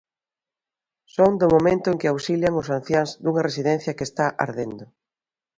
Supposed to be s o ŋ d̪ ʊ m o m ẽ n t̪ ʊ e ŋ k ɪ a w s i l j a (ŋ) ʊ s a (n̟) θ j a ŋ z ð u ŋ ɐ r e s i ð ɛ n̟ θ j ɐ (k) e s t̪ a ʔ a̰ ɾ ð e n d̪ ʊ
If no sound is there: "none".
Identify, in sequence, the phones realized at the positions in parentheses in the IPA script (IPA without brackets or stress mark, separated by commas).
ŋ, n̟, k